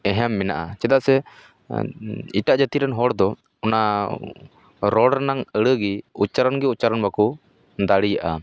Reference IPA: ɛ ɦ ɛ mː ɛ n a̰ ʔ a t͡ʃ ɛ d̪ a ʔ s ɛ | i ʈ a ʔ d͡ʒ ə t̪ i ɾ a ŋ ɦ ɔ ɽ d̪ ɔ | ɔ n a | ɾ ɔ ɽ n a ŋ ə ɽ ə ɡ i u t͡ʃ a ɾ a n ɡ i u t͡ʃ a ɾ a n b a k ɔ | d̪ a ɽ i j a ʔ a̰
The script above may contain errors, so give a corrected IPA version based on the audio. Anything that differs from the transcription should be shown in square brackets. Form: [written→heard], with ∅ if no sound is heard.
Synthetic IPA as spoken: ɛ ɦ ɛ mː ɛ n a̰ ʔ a t͡ʃ ɛ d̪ a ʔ s ɛ | i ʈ a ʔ d͡ʒ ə t̪ i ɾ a [ŋ→n] ɦ ɔ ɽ d̪ ɔ | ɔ n a | ɾ ɔ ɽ n a ŋ ə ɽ ə ɡ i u t͡ʃ a ɾ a n ɡ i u t͡ʃ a ɾ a n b a k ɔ | d̪ a ɽ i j a ʔ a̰